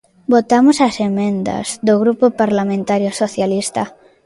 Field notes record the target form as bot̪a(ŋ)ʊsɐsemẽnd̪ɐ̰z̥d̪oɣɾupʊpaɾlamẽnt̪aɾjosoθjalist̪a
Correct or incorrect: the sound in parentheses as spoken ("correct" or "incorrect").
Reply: incorrect